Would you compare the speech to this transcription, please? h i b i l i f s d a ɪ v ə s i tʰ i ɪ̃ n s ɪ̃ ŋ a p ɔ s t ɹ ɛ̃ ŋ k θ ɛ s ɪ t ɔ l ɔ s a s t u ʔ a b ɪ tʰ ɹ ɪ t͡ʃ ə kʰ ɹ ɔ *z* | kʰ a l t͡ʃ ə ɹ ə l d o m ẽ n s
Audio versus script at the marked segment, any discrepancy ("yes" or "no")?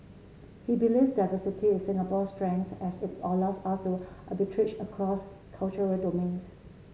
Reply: yes